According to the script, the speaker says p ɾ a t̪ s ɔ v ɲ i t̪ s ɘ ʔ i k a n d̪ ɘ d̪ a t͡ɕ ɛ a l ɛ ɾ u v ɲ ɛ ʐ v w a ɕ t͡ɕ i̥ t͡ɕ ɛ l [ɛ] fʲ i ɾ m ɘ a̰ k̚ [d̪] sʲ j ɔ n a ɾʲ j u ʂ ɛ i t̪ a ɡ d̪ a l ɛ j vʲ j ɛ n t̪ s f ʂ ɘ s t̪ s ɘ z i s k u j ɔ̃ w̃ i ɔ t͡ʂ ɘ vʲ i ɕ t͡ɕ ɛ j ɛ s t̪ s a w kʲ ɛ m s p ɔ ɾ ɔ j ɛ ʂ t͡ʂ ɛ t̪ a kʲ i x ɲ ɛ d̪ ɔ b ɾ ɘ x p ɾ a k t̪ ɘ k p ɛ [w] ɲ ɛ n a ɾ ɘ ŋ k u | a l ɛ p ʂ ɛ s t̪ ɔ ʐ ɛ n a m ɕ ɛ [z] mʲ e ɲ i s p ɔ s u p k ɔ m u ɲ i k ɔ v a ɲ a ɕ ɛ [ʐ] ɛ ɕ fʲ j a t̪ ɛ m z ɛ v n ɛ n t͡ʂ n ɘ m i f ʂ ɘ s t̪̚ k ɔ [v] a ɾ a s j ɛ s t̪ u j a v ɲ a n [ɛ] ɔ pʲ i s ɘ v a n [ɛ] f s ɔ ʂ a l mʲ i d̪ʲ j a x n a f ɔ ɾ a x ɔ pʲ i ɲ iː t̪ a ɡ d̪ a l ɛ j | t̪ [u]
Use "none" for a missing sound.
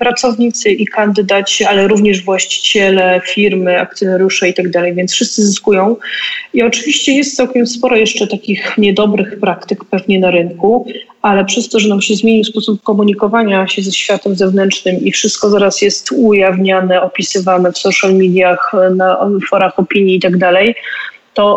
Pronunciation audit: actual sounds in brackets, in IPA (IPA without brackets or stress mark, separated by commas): ɛ, t̪, v, z, z, z, ɛ, ɛ, ɔ